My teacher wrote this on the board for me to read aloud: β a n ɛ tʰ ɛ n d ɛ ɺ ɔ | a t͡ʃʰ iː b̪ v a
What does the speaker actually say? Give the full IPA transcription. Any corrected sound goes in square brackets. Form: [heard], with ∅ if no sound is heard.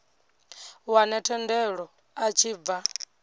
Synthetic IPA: [w] a n ɛ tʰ ɛ n d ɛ ɺ ɔ | a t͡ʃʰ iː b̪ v a